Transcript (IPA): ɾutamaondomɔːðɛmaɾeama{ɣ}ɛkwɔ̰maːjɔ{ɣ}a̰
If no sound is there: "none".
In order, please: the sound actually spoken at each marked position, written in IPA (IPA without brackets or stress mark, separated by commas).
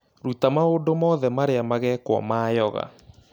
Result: ɣ, ɣ